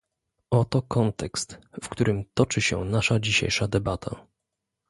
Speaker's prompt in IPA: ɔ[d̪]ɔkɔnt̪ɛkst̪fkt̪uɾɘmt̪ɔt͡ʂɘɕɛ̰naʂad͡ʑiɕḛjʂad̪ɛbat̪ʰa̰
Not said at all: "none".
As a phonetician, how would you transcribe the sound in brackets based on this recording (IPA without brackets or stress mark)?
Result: t̪